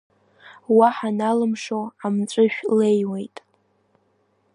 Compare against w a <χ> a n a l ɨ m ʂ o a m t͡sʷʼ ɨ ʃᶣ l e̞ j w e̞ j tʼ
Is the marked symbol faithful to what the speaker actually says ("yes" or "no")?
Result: no